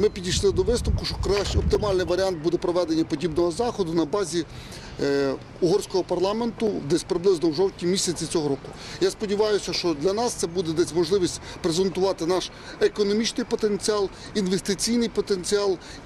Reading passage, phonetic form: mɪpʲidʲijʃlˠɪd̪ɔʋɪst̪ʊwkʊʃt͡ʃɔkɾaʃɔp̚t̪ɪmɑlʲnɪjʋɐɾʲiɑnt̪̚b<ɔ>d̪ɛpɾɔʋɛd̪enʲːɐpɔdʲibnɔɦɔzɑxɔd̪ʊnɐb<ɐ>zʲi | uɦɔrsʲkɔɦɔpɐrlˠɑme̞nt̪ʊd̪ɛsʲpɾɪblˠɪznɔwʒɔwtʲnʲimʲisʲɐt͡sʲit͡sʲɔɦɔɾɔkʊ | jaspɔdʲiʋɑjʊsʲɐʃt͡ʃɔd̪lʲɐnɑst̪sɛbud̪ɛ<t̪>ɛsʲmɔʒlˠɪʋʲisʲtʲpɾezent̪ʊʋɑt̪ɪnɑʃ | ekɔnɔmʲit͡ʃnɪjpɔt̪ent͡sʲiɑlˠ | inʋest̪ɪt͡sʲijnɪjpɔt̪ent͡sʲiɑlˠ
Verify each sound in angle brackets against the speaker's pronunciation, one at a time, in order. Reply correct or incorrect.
incorrect, incorrect, incorrect

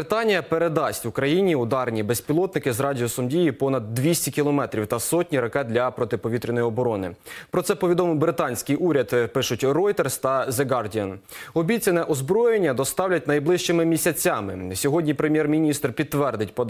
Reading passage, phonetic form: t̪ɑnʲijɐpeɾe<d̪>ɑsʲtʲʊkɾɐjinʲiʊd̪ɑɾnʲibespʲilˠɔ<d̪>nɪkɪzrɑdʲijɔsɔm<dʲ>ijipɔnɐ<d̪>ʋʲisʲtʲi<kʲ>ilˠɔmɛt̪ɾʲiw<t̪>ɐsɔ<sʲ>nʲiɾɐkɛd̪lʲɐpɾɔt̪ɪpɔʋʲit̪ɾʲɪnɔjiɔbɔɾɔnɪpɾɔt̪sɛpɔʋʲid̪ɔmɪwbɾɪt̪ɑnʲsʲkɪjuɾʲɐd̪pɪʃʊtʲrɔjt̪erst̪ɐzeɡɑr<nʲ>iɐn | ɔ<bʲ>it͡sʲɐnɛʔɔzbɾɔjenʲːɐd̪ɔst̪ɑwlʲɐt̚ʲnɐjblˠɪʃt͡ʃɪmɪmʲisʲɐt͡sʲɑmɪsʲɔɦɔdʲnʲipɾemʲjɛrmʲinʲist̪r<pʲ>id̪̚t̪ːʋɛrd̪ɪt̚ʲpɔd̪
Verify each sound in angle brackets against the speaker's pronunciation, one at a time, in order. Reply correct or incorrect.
correct, incorrect, correct, incorrect, correct, correct, incorrect, incorrect, correct, correct

